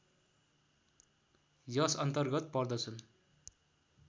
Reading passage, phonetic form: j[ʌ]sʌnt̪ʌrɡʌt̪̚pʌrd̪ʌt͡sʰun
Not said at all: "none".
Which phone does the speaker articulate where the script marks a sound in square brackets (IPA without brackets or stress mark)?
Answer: ʌ